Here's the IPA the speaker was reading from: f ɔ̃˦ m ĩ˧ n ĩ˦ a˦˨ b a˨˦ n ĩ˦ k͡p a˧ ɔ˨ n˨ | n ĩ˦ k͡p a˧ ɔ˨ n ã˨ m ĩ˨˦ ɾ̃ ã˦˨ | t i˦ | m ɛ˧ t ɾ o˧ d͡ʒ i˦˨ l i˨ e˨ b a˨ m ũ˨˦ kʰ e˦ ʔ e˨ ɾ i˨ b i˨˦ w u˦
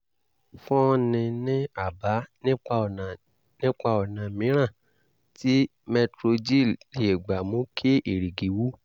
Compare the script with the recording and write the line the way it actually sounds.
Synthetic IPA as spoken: f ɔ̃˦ n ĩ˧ n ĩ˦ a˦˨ b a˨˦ n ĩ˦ k͡p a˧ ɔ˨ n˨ | n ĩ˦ k͡p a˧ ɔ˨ n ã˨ m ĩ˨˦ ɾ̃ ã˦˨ | t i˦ | m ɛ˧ t ɾ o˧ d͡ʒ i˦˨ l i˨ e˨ ɡ͡b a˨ m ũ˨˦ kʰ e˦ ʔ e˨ ɾ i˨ ɡ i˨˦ w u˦

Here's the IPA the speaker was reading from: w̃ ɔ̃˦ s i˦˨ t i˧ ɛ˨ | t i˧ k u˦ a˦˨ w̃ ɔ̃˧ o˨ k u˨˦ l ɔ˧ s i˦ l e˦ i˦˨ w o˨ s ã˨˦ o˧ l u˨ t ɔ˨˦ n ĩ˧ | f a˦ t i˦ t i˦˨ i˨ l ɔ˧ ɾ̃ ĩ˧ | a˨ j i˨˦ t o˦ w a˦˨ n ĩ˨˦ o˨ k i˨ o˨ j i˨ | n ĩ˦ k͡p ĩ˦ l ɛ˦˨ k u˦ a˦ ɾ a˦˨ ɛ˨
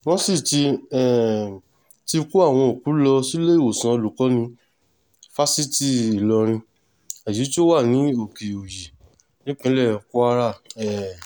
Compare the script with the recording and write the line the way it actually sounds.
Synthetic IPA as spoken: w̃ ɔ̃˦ s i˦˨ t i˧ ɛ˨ | t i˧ k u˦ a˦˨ w̃ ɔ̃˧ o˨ k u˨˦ l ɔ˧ s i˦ l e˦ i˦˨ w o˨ s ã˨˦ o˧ l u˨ k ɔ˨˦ n ĩ˧ | f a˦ s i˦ t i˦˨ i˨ l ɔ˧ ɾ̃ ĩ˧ | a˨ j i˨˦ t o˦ w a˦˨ n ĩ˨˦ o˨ k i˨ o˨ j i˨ | n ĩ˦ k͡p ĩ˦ l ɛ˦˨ k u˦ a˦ ɾ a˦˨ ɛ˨

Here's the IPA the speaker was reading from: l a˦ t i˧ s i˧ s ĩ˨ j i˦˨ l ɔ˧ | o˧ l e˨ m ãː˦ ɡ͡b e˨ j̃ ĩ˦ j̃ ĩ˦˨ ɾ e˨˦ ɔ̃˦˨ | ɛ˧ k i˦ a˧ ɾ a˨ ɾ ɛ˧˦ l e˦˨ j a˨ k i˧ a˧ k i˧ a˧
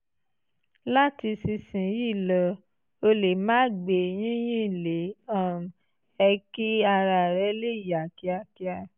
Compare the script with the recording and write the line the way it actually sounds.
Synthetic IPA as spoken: l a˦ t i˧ s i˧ s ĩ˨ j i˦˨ l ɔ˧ | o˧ l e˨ m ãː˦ ɡ͡b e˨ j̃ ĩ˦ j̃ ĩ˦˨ l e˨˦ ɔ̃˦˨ | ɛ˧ k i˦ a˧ ɾ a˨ ɾ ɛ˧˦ l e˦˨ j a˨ k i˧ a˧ k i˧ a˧

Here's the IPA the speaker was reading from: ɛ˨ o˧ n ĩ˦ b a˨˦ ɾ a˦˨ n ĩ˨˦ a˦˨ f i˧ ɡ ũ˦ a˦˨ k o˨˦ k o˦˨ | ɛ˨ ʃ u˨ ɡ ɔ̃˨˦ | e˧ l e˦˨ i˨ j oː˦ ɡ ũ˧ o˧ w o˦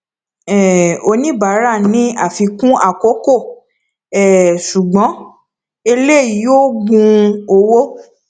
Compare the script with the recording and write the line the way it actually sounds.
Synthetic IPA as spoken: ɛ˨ o˧ n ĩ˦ b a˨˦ ɾ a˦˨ n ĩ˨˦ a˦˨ f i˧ k ũ˦ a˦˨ k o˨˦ k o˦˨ | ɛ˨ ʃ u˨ ɡ͡b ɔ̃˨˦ | e˧ l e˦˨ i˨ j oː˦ ɡ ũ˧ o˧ w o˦

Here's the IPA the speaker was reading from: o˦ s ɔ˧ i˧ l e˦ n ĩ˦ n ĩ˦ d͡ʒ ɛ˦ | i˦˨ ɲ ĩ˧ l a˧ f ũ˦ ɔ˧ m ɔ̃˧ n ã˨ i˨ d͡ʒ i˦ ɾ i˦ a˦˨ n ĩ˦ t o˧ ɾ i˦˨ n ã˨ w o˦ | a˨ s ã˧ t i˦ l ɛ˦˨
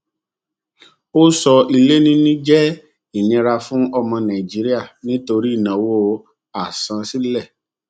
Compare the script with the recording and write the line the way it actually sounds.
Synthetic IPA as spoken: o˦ s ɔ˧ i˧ l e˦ n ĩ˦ n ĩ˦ d͡ʒ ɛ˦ | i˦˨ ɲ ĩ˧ ɾ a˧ f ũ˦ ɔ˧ m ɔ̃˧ n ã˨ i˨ d͡ʒ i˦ ɾ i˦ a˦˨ n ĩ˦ t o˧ ɾ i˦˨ n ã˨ w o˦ | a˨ s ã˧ s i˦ l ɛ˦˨

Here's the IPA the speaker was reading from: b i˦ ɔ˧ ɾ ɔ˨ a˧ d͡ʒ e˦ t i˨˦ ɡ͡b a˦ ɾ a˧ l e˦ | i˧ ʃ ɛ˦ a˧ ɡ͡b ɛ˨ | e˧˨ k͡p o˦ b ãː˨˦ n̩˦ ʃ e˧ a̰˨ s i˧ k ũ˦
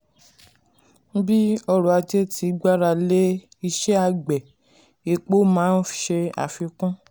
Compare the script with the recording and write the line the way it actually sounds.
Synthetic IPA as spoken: b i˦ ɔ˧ ɾ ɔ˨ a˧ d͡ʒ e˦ t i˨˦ ɡ͡b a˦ ɾ a˧ l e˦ | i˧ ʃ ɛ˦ a˧ ɡ͡b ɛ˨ | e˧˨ k͡p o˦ m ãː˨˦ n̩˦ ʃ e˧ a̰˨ f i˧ k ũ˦

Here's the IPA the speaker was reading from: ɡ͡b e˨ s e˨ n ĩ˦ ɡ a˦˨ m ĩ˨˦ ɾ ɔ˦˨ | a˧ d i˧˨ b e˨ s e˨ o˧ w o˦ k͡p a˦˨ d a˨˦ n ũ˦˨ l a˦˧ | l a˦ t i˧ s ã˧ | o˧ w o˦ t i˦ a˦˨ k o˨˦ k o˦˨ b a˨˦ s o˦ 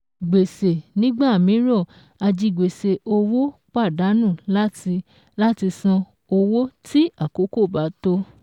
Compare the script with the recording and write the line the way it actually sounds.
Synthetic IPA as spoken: ɡ͡b e˨ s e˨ n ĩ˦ ɡ͡b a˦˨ m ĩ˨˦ ɾ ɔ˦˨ | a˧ d͡ʒ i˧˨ ɡ͡b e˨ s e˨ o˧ w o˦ k͡p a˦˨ d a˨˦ n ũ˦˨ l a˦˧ | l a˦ t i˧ s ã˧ | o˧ w o˦ t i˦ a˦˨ k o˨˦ k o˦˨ b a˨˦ t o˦

